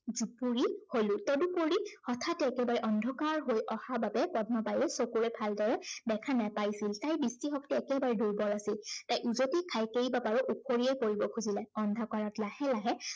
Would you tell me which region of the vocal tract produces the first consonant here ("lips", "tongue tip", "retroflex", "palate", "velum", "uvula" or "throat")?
tongue tip